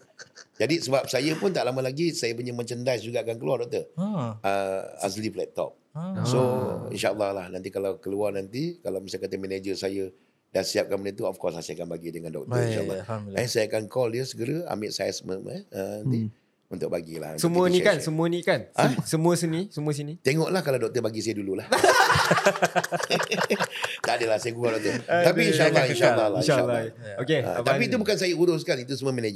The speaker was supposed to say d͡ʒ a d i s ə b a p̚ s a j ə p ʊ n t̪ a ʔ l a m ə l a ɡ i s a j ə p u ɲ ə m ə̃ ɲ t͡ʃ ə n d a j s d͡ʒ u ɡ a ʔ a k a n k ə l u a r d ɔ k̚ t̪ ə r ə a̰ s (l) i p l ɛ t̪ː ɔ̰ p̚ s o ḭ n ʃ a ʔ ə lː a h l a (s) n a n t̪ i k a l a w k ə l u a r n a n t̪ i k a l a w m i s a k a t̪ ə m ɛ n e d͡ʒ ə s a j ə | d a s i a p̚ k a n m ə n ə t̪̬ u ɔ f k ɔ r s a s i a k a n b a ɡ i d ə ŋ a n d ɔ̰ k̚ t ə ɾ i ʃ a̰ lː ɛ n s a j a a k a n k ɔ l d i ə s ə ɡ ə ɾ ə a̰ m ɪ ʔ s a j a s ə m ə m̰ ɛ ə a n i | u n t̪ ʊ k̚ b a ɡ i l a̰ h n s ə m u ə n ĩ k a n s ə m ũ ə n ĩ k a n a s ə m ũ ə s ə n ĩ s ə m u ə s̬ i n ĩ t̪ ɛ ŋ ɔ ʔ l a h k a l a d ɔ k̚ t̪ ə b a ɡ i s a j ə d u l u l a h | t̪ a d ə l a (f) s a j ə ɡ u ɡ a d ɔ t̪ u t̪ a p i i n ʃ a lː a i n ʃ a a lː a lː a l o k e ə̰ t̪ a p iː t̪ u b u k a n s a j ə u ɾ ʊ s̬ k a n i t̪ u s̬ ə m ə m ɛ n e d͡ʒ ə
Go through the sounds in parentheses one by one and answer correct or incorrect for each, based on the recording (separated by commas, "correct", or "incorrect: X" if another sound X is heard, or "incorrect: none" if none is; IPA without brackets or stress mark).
correct, incorrect: h, incorrect: h